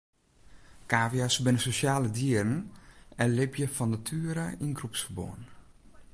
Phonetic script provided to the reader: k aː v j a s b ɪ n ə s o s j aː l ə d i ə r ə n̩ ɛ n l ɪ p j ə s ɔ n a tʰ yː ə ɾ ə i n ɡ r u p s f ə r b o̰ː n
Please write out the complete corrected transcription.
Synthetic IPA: k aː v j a s b ɪ n ə s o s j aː l ə d i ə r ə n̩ ɛ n l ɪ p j ə f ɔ n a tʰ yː ə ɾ ə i n ɡ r u p s f ə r b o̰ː n